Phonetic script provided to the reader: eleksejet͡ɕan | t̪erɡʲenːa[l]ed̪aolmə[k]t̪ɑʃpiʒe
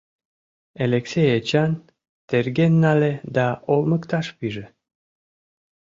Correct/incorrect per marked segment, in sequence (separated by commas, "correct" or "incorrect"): correct, correct